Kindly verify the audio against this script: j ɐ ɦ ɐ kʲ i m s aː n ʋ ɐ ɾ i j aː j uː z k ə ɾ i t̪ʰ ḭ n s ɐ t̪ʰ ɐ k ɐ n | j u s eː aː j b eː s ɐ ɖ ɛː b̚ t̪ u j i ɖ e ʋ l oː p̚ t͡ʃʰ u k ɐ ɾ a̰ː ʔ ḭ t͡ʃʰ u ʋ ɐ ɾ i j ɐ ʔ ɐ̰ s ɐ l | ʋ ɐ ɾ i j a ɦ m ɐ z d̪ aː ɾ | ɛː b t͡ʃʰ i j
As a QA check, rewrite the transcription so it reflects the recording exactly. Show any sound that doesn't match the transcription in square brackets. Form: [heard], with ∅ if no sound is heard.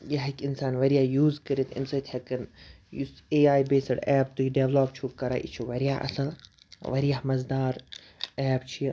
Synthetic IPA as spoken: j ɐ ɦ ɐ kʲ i [n] s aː n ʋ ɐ ɾ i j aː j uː z k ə ɾ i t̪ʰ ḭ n s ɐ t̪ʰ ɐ k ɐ n | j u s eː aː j b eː s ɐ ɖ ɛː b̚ t̪ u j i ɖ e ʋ l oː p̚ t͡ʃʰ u k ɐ ɾ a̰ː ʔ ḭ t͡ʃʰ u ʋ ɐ ɾ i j [a] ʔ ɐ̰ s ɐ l | ʋ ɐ ɾ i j a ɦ m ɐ z d̪ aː ɾ | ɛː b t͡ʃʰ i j